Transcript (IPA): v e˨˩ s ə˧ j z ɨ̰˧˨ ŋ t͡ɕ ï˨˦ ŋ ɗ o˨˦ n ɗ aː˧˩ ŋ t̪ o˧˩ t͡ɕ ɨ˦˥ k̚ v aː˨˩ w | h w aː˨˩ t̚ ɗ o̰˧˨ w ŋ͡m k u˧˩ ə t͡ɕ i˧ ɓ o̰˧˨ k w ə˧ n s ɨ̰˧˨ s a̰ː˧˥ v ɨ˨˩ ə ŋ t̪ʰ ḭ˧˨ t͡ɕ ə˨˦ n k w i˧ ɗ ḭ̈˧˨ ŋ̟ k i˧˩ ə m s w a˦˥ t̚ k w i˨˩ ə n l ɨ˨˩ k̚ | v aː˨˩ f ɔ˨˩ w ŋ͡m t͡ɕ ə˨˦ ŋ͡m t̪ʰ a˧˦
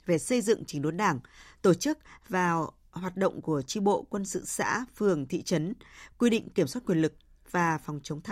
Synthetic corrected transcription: v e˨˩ s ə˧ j z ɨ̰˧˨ ŋ t͡ɕ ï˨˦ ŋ ɗ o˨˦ n ɗ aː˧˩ ŋ t̪ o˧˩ t͡ɕ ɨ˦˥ k̚ v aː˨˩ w | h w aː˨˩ t̚ ɗ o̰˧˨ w ŋ͡m k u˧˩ ə t͡ɕ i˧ ɓ o̰˧˨ k w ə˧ n s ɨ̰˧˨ s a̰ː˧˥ f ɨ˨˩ ə ŋ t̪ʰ ḭ˧˨ t͡ɕ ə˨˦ n k w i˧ ɗ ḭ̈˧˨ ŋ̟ k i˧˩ ə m s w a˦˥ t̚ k w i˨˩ ə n l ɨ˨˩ k̚ | v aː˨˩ f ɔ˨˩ w ŋ͡m t͡ɕ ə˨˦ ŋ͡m t̪ʰ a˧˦